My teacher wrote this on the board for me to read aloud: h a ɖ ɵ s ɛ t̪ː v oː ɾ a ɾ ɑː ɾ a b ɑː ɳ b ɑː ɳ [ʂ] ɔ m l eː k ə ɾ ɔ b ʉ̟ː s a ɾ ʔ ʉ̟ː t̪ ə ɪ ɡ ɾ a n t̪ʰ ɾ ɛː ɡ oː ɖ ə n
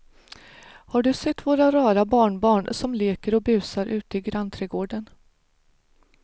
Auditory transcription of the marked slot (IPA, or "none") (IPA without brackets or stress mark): s